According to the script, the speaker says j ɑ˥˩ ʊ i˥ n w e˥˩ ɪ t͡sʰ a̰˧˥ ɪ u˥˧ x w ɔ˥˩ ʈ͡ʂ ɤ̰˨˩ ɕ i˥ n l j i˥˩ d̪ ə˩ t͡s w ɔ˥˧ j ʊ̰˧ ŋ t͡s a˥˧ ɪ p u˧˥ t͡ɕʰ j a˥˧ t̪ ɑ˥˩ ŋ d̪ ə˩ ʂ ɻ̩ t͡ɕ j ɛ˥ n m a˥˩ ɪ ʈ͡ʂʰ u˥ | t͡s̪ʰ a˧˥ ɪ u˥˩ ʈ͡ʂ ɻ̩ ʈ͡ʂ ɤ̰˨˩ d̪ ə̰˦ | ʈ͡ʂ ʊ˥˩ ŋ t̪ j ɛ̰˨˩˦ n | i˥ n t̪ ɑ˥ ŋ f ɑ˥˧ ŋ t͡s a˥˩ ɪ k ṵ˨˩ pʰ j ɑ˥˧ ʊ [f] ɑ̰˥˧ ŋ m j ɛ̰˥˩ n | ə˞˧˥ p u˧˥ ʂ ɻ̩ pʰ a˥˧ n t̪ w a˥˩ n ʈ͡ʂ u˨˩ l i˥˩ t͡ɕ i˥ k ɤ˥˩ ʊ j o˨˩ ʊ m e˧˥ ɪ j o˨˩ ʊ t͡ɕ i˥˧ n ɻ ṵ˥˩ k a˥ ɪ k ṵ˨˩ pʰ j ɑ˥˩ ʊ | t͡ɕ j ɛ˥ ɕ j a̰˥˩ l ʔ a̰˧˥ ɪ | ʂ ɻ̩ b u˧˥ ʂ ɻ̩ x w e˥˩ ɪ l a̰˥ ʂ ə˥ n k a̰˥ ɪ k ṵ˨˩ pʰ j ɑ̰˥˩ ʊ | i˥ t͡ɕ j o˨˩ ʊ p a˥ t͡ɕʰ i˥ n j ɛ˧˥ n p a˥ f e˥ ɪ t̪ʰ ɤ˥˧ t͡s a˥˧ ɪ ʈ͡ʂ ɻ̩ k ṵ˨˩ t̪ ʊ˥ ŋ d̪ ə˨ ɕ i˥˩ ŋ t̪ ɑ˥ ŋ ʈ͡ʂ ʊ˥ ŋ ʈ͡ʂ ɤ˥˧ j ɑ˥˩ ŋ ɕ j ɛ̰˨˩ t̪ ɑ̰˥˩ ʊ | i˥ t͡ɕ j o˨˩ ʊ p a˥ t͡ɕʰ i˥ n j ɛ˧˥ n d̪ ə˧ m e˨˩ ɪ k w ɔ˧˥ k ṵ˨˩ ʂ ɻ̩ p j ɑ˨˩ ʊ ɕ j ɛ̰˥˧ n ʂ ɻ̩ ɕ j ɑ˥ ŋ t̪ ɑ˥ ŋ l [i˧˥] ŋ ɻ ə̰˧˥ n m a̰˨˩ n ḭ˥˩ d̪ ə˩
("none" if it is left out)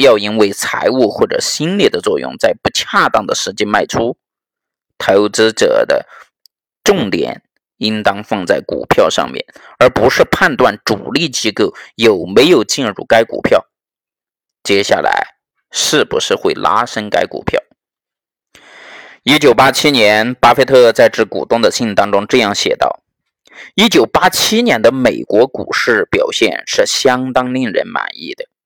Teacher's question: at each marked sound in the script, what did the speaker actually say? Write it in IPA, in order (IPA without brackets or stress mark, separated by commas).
ʂ, i˥˩